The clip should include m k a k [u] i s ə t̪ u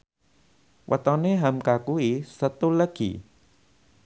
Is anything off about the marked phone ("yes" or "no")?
no